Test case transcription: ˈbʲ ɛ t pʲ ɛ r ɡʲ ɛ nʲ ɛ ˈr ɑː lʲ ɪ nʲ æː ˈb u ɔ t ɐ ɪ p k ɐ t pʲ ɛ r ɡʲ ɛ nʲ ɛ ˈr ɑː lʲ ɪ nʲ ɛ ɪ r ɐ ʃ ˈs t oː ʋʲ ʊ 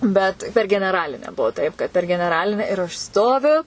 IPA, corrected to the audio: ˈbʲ ɛ t pʲ ɛ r ɡʲ ɛ nʲ ɛ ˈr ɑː lʲ ɪ nʲ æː ˈb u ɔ t ɐ ɪ p k ɐ t pʲ ɛ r ɡʲ ɛ nʲ ɛ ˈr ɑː lʲ ɪ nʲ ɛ ɪ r ɐ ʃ ˈs t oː ʋʲ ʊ